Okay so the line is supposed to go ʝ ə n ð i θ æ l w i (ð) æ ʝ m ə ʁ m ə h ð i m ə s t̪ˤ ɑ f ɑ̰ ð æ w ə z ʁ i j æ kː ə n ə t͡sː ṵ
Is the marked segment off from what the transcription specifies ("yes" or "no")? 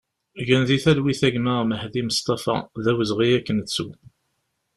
yes